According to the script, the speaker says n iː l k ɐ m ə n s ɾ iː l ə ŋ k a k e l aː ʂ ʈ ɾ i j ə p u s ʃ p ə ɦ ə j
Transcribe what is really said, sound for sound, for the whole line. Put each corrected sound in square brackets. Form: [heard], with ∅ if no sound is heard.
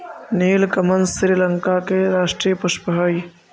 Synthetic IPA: n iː l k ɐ m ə n s ɾ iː l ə ŋ k a k e [ɾ] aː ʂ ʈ ɾ i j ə p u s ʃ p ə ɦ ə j